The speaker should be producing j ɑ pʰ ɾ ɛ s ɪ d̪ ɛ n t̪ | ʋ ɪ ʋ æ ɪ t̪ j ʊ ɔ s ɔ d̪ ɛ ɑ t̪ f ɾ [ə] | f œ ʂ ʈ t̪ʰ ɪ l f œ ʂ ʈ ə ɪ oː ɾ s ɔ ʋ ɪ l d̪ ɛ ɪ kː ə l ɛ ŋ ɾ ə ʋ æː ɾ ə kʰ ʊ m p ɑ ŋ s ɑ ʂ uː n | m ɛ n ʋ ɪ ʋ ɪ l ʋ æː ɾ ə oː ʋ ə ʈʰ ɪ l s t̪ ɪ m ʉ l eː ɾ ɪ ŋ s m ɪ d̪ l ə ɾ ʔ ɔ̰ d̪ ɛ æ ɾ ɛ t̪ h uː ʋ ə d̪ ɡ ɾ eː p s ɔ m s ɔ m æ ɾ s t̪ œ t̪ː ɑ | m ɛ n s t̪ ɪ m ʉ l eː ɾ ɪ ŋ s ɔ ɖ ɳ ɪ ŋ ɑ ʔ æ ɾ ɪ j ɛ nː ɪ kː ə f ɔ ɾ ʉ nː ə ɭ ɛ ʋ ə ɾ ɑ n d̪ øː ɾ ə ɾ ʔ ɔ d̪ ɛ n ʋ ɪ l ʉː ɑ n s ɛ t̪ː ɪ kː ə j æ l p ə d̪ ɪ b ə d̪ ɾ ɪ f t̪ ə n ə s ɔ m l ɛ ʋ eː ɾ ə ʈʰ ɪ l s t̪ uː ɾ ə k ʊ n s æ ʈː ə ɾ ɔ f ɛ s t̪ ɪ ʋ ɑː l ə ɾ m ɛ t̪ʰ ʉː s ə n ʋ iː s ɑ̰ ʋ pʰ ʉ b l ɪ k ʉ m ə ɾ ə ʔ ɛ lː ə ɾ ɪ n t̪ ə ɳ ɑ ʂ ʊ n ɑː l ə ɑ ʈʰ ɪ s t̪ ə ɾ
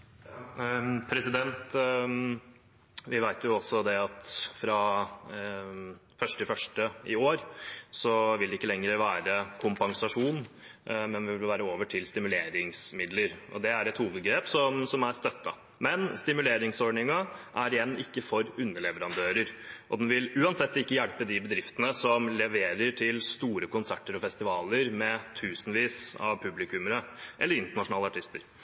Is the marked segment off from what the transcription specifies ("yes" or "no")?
yes